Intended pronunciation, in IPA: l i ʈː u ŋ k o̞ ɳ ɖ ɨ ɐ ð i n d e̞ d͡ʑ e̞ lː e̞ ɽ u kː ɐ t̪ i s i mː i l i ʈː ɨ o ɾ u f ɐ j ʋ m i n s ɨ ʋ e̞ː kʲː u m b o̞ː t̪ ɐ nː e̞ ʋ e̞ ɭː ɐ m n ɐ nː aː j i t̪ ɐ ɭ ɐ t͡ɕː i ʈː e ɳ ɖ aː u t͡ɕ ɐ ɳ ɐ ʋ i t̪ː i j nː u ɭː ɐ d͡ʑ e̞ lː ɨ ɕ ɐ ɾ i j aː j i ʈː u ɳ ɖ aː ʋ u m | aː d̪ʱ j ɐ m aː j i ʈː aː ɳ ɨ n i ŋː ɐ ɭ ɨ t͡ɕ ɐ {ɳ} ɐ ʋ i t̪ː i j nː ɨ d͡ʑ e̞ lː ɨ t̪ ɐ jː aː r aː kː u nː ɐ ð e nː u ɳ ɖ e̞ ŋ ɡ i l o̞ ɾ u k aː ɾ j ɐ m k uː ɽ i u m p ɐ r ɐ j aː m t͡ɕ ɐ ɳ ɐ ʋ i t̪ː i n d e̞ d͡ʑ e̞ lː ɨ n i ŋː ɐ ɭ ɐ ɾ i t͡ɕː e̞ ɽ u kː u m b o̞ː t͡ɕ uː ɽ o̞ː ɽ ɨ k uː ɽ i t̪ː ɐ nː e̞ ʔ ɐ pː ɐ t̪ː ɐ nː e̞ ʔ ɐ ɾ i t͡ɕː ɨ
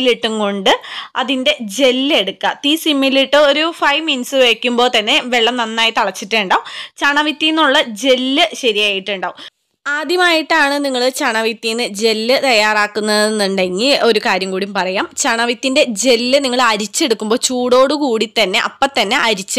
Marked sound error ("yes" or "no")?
no